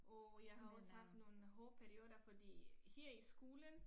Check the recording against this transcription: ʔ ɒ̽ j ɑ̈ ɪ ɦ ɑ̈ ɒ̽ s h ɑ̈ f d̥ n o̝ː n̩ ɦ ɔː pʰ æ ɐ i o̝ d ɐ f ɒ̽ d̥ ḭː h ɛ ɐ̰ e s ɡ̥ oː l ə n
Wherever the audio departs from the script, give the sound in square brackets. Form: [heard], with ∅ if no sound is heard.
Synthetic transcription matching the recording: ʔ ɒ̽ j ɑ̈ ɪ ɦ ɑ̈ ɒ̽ s h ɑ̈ f d̥ n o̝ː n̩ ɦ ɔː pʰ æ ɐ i o̝ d ɐ f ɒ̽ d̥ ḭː h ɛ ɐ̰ [i] s ɡ̥ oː l ə n

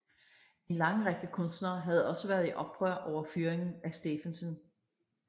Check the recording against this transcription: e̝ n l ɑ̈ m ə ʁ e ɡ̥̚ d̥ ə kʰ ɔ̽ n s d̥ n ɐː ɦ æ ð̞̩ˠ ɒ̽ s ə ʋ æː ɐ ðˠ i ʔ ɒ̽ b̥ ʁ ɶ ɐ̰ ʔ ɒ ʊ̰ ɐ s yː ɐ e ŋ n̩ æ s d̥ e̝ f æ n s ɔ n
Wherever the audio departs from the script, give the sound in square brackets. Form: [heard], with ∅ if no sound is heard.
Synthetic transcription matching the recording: e̝ n l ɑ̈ [ŋ] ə ʁ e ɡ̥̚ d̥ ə kʰ ɔ̽ n s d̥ n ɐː ɦ æ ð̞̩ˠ ɒ̽ s ə ʋ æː ɐ ðˠ i ʔ ɒ̽ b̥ ʁ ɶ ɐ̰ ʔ ɒ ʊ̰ ɐ [f] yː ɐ e ŋ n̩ æ s d̥ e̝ f æ n s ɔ n

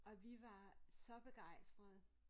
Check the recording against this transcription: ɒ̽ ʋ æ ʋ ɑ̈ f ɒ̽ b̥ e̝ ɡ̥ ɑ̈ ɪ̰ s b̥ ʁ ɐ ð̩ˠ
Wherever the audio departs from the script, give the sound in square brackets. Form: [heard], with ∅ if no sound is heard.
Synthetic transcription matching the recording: ɒ̽ ʋ [i] ʋ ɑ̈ [s] ɒ̽ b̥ e̝ ɡ̥ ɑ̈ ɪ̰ s [d̥] ʁ ɐ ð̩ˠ

